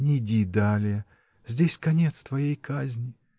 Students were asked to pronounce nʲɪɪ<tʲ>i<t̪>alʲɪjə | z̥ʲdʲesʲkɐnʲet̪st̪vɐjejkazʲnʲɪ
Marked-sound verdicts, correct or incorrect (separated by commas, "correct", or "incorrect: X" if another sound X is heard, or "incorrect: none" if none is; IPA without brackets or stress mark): incorrect: dʲ, incorrect: d̪